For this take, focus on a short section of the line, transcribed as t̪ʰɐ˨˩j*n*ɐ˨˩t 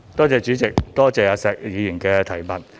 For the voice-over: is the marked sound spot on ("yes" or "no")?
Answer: no